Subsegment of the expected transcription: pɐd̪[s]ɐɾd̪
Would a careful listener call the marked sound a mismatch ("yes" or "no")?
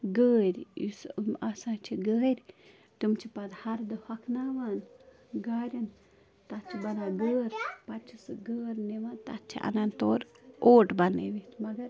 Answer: yes